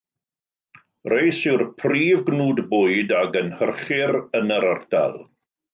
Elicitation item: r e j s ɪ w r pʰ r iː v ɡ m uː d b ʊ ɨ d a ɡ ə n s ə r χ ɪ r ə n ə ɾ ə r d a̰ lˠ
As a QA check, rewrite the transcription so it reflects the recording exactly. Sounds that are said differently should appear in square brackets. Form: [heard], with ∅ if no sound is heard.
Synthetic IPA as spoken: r e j s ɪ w r pʰ r iː v ɡ [n] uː d b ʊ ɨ d a ɡ ə n [h] ə r χ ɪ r ə n ə ɾ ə r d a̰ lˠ